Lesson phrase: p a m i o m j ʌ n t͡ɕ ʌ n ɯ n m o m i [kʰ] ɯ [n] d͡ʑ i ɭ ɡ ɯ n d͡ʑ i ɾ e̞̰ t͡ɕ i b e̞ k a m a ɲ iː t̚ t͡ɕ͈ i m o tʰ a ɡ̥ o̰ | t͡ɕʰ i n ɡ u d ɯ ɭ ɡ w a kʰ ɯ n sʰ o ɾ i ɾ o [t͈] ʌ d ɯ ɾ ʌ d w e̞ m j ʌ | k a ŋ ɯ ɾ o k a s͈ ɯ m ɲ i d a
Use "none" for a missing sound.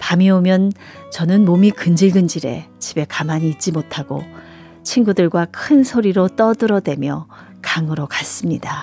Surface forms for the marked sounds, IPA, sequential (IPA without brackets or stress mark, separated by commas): k, n, t͈